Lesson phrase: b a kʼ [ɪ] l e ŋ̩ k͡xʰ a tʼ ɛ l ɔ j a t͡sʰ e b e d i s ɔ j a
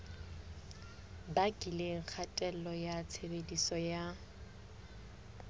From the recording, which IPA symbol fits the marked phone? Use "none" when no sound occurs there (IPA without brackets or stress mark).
i